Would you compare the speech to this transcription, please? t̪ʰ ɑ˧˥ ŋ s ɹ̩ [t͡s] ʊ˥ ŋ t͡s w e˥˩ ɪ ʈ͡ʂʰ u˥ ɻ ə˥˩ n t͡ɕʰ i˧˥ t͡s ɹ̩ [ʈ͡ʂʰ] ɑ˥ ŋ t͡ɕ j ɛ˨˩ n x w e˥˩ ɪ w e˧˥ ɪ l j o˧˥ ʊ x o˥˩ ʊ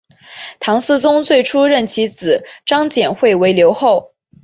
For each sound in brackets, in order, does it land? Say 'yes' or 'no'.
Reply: yes, no

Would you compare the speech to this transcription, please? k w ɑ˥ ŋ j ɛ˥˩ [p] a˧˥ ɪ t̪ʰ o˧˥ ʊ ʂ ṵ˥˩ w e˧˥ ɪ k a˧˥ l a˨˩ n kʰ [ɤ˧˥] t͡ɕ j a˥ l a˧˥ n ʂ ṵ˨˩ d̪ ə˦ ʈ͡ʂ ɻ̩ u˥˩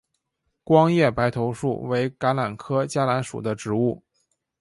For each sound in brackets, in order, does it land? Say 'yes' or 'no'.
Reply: yes, no

